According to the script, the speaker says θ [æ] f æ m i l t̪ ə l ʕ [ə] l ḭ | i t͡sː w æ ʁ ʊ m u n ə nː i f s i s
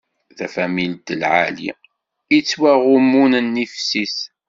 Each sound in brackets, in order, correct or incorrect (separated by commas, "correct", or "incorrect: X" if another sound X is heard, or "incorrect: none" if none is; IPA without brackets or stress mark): correct, incorrect: a